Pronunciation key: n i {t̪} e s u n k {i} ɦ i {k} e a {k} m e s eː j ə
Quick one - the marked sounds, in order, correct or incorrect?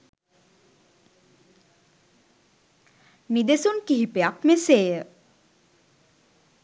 incorrect, correct, incorrect, correct

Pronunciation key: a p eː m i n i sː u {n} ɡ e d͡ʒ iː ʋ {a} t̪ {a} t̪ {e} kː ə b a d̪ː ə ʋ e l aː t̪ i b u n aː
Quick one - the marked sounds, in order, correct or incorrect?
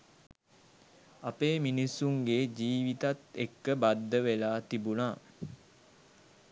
incorrect, incorrect, correct, correct

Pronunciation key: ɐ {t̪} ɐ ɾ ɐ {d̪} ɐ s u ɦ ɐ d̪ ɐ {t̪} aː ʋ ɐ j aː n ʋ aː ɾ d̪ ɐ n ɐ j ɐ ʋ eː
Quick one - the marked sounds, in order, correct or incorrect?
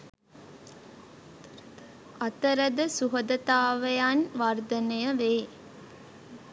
correct, correct, correct

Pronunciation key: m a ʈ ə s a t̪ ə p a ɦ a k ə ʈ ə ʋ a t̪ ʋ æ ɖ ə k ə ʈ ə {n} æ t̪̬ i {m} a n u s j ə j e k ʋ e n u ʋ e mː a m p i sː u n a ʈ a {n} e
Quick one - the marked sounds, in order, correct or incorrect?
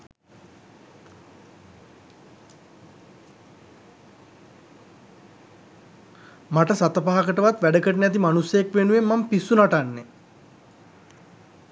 correct, correct, incorrect

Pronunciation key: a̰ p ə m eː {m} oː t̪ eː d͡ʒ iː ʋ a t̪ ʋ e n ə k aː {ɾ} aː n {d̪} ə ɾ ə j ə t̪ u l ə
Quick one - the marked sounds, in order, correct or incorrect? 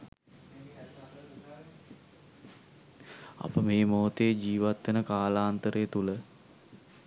correct, incorrect, incorrect

